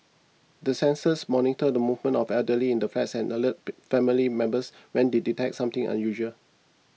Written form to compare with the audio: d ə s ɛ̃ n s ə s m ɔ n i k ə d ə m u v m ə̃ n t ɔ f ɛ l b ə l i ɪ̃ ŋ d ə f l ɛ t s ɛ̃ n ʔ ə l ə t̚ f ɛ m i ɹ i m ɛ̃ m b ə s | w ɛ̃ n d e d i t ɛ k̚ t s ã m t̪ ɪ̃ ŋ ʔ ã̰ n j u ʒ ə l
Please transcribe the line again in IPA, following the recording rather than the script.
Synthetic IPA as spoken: d ə s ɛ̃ n s ə s m ɔ n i t ə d ə m u v m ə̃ n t ɔ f ɛ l d ə l i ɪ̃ n d ə f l ɛ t s ɛ̃ n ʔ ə l ə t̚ f ɛ m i l i m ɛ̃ m b ə s | w ɛ̃ n d e d i t ɛ k̚ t s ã m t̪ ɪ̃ ŋ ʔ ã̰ n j u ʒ ə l